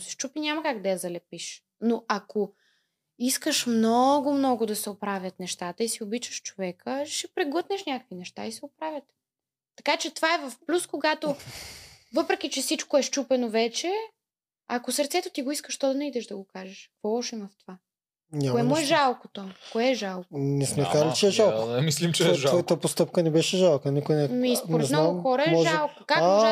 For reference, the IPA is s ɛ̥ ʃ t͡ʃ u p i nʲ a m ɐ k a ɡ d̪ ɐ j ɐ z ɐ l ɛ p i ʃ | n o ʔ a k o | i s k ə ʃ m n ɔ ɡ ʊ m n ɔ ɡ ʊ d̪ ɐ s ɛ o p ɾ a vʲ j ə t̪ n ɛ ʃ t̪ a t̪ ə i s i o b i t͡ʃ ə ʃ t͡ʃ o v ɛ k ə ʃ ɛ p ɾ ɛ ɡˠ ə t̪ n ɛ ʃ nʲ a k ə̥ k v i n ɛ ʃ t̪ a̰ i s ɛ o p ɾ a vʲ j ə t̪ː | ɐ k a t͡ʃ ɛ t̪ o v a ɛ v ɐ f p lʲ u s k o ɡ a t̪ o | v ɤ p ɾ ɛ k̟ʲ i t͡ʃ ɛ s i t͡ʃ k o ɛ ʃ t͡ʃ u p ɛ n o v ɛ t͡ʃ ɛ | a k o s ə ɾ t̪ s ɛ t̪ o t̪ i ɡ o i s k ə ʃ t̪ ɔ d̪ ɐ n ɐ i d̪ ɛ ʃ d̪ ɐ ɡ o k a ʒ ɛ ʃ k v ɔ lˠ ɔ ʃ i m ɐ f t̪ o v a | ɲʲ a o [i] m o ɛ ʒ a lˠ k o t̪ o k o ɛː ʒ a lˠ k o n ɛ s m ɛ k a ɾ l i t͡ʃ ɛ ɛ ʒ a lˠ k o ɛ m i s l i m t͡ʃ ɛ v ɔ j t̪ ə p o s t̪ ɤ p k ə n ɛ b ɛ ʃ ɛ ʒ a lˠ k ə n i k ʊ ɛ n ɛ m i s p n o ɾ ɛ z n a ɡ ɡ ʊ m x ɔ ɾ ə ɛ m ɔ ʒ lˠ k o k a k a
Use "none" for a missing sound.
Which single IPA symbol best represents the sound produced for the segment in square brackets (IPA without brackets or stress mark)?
ɛ